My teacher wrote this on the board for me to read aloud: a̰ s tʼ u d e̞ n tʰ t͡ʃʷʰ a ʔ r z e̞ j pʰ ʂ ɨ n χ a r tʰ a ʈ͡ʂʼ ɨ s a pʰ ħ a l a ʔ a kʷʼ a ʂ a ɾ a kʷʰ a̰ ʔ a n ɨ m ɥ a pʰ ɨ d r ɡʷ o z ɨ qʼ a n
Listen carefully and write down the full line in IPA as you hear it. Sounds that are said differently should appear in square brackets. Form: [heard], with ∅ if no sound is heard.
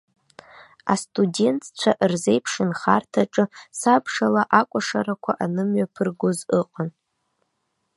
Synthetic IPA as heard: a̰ s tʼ u d e̞ n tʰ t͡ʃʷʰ a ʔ r z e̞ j pʰ ʂ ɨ n χ a r tʰ a ʈ͡ʂʼ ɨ s a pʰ [ʂ] a l a ʔ a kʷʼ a ʂ a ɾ a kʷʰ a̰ ʔ a n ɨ m ɥ a pʰ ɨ [∅] r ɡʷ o z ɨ qʼ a n

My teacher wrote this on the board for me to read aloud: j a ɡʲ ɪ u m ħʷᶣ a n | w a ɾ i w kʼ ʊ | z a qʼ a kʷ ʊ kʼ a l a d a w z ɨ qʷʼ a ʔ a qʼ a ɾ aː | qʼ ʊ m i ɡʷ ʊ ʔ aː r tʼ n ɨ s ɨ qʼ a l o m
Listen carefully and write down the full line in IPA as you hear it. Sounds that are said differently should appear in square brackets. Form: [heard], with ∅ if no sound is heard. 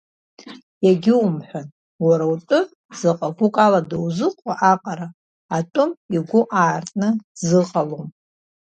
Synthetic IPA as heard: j a ɡʲ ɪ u m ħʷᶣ a n | w a ɾ [a] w [tʼ] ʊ | z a qʼ a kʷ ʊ kʼ a l a d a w z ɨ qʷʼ a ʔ a qʼ a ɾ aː | [tʼ] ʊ m i ɡʷ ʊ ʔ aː r tʼ n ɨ [z] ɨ qʼ a l o m

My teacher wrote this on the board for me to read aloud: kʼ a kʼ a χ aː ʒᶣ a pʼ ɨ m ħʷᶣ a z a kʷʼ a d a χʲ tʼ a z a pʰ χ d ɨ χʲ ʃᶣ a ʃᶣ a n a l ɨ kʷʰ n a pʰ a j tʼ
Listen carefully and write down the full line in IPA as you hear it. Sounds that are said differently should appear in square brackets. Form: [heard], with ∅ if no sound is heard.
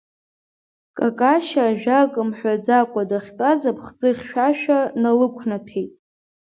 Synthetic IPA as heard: kʼ a kʼ a [ʃ] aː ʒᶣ a [kʼ] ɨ m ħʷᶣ a [d͡z] a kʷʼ a d a χʲ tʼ a z a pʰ χ [d͡z] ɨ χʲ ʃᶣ a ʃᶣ a n a l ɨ kʷʰ n a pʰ [e] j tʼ

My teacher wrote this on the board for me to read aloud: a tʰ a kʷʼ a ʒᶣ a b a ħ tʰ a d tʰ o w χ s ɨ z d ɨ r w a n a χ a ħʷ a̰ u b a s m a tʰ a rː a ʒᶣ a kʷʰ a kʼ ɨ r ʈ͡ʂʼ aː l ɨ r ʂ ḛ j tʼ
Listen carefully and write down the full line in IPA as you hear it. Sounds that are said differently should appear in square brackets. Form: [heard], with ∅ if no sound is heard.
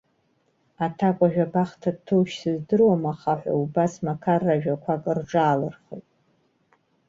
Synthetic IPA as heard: a tʰ a kʷʼ a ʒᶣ a b a [χ] tʰ a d tʰ o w [ʃ] s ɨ z d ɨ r w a [m] a χ a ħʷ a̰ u b a s m a [kʰ] a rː a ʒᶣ a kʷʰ a kʼ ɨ r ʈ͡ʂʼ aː l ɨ r [χ] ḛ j tʼ

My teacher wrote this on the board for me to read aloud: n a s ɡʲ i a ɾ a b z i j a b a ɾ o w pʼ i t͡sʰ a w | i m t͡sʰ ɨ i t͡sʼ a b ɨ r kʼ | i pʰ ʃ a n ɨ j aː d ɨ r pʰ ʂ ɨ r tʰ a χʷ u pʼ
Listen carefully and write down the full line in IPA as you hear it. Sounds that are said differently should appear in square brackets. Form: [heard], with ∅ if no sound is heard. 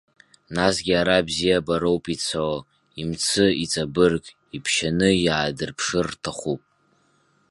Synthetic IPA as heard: n a s ɡʲ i a ɾ a b z i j a b a ɾ o w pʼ i t͡sʰ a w | i m t͡sʰ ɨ i t͡sʼ a b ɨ r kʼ | i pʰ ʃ a n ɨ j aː d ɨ r pʰ ʂ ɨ r tʰ a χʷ u pʼ

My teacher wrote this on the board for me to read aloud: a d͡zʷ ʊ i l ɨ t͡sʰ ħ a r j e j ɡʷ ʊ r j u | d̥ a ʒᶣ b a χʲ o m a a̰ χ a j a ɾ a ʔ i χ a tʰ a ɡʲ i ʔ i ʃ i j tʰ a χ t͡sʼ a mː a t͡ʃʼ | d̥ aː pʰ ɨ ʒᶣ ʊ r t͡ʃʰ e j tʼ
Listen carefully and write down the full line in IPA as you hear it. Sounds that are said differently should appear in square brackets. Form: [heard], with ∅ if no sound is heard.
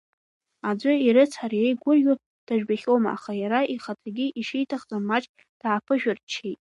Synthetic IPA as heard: a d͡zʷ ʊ i [ɾ] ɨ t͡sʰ ħ a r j e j ɡʷ ʊ r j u | d̥ a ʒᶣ b a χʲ o m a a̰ χ a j a ɾ a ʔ i χ a tʰ a ɡʲ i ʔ i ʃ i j tʰ a χ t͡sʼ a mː a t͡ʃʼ | d̥ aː pʰ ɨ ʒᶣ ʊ r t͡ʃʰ e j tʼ

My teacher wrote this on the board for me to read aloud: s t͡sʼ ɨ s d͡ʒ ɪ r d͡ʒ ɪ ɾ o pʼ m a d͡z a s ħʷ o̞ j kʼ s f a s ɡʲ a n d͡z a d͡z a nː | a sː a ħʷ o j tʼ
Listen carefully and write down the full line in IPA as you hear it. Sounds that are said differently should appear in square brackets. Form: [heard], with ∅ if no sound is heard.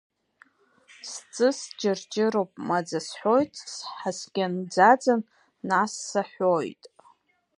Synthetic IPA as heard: s t͡sʼ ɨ s d͡ʒ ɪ r d͡ʒ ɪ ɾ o pʼ m a d͡z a s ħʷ o̞ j [tʼ] s [ħ] a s ɡʲ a n d͡z a d͡z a nː | a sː a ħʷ o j tʼ

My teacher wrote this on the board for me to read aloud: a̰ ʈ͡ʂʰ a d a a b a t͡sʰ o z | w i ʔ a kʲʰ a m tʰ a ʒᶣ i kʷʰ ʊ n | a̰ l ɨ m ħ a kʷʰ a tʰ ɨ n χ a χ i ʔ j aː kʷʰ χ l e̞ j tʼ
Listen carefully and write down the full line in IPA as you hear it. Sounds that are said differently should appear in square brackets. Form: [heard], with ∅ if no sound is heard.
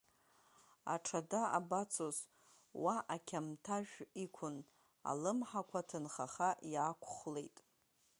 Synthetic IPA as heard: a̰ ʈ͡ʂʰ a d a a b a t͡sʰ o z | w [a] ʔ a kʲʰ a m tʰ a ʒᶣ i kʷʰ ʊ n | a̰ l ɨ m ħ a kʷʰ a tʰ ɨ n χ a χ [a] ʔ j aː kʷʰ χ l e̞ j tʼ

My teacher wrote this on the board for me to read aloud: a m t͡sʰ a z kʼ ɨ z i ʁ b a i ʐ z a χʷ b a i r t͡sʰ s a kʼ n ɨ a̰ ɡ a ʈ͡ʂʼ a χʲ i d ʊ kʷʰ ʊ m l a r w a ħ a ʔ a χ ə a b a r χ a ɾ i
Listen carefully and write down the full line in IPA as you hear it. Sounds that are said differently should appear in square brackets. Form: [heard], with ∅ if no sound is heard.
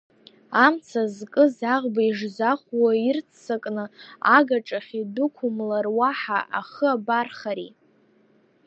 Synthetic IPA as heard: a m t͡sʰ a z kʼ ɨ z [a] ʁ b a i ʐ z a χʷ [w] a i r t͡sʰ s a kʼ n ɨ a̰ ɡ a ʈ͡ʂʼ a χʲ i d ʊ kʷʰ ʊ m l a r w a ħ a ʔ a χ ə a b a r χ a ɾ i

